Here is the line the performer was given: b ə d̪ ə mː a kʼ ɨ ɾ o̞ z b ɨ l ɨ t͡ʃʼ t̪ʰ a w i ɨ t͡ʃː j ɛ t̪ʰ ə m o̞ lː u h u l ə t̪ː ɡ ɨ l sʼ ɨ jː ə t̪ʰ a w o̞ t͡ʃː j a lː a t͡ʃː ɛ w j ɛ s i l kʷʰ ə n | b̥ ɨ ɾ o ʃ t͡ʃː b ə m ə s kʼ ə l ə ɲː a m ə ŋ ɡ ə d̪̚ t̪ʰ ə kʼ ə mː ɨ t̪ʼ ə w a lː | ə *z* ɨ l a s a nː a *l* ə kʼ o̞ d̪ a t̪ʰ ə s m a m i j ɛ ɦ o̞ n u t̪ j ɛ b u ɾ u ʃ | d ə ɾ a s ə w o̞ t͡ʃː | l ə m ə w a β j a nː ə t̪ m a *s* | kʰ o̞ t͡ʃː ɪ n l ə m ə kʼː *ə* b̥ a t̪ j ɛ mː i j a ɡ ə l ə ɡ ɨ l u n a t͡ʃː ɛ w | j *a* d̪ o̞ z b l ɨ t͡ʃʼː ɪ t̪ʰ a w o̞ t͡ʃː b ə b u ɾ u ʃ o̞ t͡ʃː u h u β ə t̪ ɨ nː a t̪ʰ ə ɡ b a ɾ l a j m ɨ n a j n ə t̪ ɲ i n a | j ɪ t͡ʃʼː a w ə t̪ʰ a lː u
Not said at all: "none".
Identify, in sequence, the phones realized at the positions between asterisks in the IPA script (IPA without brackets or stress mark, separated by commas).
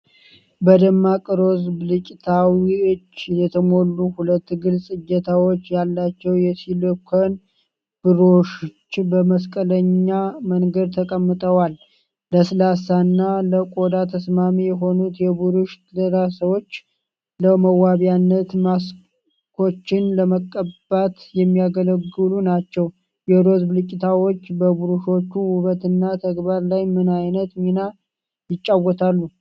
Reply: s, l, s, ə, ɛ